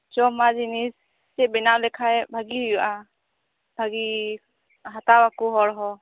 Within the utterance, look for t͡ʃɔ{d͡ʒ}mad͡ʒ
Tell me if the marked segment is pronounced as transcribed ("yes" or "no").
no